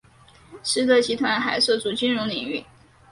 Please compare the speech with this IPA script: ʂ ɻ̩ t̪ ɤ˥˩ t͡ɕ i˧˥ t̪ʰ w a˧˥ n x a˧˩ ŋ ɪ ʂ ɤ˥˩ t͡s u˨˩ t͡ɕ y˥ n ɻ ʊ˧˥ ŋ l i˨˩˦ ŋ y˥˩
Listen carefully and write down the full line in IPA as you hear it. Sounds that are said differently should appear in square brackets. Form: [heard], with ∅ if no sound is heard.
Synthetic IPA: ʂ ɻ̩ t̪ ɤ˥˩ t͡ɕ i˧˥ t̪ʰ w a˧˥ n x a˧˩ [∅] ɪ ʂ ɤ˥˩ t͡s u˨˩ t͡ɕ y˥ n ɻ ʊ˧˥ ŋ l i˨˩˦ ŋ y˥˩